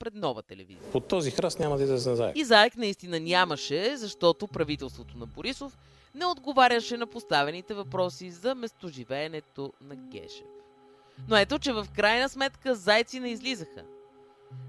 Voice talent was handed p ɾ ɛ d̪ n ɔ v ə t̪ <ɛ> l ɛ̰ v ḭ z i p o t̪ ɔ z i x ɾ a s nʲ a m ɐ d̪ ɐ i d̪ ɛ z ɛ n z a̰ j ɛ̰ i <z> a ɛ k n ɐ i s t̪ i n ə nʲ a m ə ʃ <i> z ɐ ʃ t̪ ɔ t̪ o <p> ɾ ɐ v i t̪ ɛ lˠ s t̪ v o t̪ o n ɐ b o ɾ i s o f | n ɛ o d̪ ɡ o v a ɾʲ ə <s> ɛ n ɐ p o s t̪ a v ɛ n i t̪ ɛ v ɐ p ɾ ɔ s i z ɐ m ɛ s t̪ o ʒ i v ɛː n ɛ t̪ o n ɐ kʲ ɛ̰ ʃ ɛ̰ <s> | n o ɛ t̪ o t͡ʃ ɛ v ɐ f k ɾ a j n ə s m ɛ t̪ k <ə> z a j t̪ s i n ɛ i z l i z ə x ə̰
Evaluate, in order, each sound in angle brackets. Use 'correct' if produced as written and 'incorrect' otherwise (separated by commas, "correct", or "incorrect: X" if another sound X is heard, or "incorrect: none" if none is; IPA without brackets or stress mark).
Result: correct, correct, incorrect: ɛ, correct, incorrect: ʃ, incorrect: f, correct